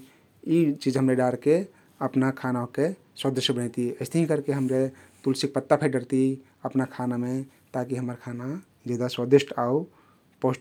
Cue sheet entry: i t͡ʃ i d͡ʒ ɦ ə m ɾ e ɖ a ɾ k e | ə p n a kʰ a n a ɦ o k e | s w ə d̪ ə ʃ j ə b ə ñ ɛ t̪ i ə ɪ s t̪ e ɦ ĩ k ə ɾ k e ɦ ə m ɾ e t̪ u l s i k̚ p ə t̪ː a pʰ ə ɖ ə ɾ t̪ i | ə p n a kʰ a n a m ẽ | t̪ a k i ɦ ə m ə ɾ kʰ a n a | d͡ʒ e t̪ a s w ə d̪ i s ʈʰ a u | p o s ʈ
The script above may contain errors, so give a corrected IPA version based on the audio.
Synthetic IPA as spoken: i t͡ʃ i d͡ʒ ɦ ə m ɾ e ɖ a ɾ k e | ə p n a kʰ a n a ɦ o k e | s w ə d̪ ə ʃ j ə b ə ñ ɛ t̪ i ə ɪ s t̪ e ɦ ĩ k ə ɾ k e ɦ ə m ɾ e t̪ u l s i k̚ p ə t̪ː a pʰ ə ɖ ə ɾ t̪ i | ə p n a kʰ a n a m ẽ | t̪ a k i ɦ ə m ə ɾ kʰ a n a | d͡ʒ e d̪ a s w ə d̪ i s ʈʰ a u | p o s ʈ

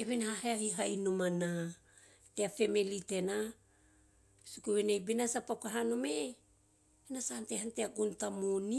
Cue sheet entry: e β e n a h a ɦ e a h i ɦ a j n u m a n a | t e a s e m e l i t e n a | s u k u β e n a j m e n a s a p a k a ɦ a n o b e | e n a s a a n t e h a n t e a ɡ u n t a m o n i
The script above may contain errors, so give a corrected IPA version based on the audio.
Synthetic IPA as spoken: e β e n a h a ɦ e a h i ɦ a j n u m a n a | t e a f e m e l i t e n a | s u k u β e n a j b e n a s a p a k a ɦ a n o m e | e n a s a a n t e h a n t e a ɡ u n t a m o n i

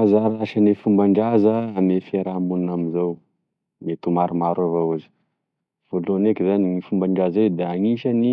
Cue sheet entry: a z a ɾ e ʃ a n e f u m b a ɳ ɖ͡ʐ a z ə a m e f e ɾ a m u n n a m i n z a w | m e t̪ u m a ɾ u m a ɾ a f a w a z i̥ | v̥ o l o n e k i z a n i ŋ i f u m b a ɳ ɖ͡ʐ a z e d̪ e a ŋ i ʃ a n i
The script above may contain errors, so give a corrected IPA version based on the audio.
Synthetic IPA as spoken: a z a ɾ a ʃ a n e f u m b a ɳ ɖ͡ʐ a z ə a m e f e ɾ a m u n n a m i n z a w | m e t̪ u m a ɾ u m a ɾ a v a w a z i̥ | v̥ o l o n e k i z a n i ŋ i f u m b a ɳ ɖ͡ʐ a z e d̪ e a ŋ i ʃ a n i

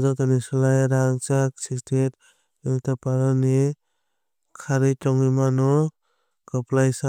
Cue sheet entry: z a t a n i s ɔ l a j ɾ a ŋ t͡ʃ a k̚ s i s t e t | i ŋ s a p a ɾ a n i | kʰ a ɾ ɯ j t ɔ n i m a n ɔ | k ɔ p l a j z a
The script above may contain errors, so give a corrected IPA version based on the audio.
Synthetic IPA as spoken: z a t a n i s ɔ l a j ɾ a ŋ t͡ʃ a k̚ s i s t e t | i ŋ t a p a ɾ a n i | kʰ a ɾ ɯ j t ɔ ŋ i m a n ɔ | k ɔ p l a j s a

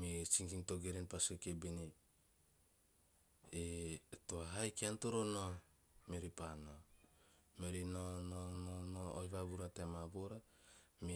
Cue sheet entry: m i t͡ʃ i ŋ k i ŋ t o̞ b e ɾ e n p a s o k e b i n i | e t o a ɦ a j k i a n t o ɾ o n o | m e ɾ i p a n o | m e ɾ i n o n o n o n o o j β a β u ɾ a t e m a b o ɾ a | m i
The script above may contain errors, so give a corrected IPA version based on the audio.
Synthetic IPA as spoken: m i t͡ʃ i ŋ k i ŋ t o̞ ɡ e ɾ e n p a s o k e b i n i | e t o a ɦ a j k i a n t o ɾ o n o | m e ɾ i p a n o | m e ɾ i n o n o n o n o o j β a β u ɾ a t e m a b o ɾ a | m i

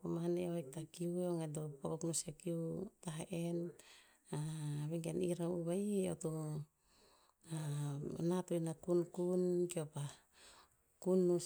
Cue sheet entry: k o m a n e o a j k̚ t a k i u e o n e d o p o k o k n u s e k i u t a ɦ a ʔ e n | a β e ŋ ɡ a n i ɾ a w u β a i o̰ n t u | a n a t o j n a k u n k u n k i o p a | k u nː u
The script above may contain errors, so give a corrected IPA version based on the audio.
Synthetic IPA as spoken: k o m a n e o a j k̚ t a k i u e o ŋ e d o p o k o k n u s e k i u t a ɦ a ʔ e n | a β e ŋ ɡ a n i ɾ a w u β a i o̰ t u | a n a t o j n a k u n k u n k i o p a | k u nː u

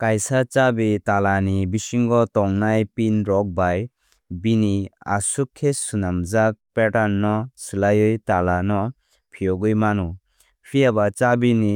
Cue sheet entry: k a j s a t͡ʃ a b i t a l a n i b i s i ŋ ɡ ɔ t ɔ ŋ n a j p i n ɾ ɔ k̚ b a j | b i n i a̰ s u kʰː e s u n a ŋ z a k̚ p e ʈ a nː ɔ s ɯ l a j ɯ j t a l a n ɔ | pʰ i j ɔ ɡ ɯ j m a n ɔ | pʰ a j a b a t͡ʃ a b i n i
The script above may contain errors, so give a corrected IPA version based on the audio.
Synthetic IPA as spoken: k a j s a t͡ʃ a b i t a l a n i b i s i ŋ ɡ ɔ t ɔ ŋ n a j p i n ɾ ɔ k̚ b a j | b i n i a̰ s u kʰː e s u n a m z a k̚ p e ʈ a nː ɔ s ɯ l a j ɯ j t a l a n ɔ | pʰ i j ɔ ɡ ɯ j m a n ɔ | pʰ i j a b a t͡ʃ a b i n i

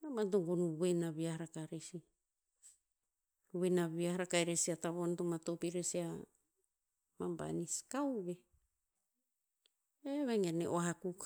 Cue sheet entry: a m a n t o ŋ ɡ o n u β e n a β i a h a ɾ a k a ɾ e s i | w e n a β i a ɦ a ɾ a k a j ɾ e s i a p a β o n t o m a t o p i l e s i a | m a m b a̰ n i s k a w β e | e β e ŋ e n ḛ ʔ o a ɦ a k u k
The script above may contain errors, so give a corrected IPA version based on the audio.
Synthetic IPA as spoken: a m a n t o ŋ ɡ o n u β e n a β i a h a ɾ a k a ɾ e s i | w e n a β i a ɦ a ɾ a k a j ɾ e s i a t a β o n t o m a t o p i ɾ e s i a | m a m b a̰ n i s k a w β e | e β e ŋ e n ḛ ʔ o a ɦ a k u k

